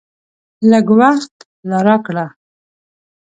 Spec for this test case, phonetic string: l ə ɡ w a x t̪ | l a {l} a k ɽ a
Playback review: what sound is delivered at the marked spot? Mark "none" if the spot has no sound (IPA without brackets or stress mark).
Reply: ɾ